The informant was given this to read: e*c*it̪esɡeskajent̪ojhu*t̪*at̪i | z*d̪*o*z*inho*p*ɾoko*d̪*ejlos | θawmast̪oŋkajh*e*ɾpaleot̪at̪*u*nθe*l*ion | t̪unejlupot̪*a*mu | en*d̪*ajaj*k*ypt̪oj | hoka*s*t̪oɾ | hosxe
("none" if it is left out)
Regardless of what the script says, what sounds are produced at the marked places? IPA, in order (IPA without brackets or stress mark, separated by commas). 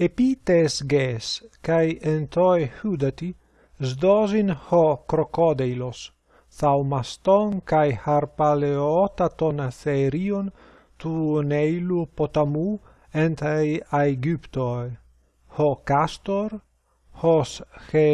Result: p, d̪, d̪, z, k, d̪, a, o, ɾ, a, t̪, ɡ, s